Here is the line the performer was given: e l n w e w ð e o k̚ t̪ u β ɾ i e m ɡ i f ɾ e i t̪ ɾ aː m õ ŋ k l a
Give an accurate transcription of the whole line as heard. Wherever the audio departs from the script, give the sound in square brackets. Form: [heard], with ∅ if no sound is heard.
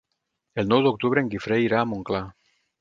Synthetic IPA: e l n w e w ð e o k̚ t̪ u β ɾ [e] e [ŋ] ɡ i f ɾ e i [∅] ɾ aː m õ ŋ k l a